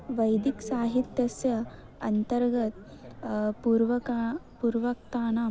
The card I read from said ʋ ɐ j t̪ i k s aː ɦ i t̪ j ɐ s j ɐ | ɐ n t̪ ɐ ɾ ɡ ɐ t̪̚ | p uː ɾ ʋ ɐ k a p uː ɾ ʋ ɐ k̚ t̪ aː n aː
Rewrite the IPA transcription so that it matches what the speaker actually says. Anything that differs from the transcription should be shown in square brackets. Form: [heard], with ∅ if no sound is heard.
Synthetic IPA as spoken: ʋ ɐ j [d̪] i k s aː ɦ i t̪ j ɐ s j ɐ | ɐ n t̪ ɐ ɾ ɡ ɐ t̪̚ | p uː ɾ ʋ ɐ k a p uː ɾ ʋ ɐ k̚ t̪ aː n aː